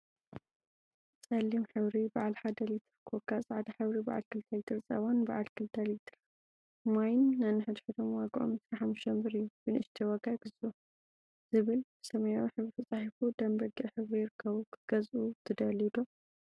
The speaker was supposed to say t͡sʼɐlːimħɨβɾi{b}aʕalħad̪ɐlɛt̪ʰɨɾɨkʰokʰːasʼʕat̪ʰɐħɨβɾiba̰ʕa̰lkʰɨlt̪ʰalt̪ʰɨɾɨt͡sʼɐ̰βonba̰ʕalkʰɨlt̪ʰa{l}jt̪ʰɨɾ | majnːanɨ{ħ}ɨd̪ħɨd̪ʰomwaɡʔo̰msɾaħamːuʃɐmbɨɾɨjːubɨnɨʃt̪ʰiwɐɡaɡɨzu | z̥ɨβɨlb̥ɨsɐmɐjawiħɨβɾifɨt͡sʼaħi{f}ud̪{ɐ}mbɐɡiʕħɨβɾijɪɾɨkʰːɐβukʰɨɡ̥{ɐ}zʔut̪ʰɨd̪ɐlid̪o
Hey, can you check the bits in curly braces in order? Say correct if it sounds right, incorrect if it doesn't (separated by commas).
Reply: correct, correct, correct, correct, correct, correct